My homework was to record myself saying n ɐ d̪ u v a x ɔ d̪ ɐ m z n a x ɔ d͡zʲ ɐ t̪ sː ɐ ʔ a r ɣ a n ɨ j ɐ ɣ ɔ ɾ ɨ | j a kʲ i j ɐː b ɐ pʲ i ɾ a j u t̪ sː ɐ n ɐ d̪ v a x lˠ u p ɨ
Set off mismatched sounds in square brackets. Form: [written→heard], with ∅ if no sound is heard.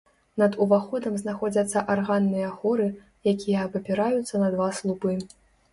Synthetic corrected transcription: n ɐ d̪ u v a x ɔ d̪ ɐ m z n a x ɔ d͡zʲ ɐ t̪ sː ɐ ʔ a r ɣ a [n→nː] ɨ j ɐ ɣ ɔ ɾ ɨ | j a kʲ i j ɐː b ɐ pʲ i ɾ a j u t̪ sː ɐ n ɐ d̪ v a [x→s] lˠ u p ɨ